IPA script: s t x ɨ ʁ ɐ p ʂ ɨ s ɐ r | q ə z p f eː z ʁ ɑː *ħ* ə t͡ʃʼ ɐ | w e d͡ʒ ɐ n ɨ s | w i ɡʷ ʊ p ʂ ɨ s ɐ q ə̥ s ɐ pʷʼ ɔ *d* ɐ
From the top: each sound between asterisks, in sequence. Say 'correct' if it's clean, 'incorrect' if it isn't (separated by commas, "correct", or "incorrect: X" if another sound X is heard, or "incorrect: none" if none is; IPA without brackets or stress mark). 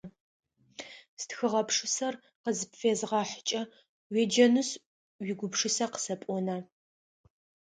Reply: correct, incorrect: n